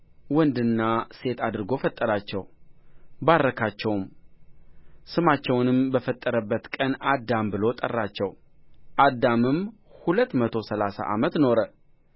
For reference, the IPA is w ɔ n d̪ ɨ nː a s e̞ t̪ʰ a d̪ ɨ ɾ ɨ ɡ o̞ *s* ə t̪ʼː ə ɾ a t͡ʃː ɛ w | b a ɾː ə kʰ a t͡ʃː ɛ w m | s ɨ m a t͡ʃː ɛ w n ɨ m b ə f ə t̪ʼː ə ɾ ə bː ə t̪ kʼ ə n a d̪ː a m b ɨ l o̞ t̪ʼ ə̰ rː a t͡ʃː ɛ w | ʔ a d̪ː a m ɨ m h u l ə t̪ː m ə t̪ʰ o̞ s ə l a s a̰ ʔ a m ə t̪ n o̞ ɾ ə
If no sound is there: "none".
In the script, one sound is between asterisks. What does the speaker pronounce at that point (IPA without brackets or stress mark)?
f